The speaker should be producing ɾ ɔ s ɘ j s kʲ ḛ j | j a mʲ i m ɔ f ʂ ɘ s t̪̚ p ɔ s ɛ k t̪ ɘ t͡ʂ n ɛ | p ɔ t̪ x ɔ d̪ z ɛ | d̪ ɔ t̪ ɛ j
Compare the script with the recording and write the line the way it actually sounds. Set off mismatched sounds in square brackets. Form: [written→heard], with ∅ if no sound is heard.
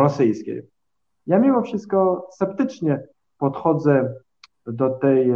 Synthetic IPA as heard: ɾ ɔ s ɘ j s kʲ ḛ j | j a mʲ i m ɔ f ʂ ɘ s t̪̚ [p→k] ɔ s ɛ [k→p] t̪ ɘ t͡ʂ [n→ɲ] ɛ | p ɔ t̪ x ɔ d̪ z ɛ | d̪ ɔ t̪ ɛ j